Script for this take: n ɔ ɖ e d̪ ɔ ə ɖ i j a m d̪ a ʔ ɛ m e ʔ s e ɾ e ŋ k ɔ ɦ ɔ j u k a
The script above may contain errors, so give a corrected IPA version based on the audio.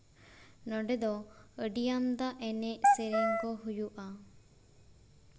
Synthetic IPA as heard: n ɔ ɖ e d̪ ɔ ə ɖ i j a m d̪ a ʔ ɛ n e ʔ s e ɾ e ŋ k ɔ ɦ u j u ʔ a